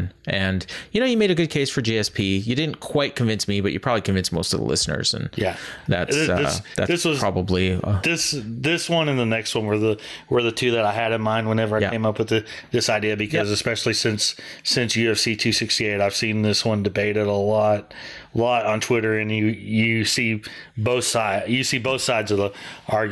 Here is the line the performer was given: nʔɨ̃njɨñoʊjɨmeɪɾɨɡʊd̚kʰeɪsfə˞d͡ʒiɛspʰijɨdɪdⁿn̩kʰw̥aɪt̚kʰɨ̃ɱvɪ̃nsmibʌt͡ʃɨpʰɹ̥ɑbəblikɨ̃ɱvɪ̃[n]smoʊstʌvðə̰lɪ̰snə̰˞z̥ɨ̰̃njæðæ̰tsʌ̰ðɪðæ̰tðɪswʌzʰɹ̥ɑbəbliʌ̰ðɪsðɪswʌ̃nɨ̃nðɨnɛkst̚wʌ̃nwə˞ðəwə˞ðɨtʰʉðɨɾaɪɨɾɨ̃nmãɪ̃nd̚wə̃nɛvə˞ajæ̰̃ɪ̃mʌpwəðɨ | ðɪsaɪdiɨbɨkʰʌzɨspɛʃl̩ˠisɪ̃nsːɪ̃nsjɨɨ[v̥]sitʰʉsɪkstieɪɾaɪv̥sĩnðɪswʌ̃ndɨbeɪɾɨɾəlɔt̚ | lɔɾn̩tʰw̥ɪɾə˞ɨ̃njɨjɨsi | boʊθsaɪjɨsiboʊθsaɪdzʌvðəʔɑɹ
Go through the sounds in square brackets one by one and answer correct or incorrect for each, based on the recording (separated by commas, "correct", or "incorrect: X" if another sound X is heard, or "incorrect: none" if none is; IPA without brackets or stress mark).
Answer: correct, correct